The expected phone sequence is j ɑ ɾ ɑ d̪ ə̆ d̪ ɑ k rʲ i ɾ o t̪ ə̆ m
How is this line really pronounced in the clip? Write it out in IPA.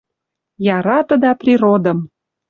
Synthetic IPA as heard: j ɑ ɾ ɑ t̪ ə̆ d̪ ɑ p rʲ i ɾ o d̪ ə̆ m